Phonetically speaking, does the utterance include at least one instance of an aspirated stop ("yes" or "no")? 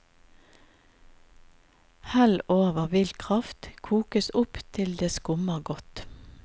yes